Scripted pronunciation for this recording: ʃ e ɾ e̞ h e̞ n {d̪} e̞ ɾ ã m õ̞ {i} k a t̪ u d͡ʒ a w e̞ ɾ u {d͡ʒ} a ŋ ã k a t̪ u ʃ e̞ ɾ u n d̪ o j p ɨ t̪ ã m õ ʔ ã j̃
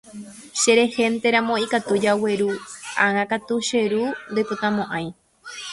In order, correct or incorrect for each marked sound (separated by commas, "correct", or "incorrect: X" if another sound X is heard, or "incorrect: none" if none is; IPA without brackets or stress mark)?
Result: incorrect: t̪, correct, incorrect: none